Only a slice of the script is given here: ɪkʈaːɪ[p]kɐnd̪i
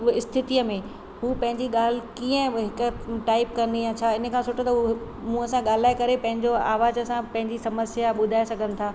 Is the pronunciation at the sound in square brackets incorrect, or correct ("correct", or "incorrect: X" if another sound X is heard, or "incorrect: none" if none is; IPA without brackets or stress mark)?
correct